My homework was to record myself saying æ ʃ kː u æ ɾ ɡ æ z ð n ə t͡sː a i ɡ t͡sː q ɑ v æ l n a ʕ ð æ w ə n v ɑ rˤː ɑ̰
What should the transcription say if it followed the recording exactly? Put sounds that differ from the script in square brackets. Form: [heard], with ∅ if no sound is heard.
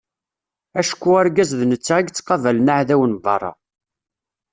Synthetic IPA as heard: æ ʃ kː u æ ɾ ɡ æ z ð n ə t͡sː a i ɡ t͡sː q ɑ v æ l n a ʕ ð æ w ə n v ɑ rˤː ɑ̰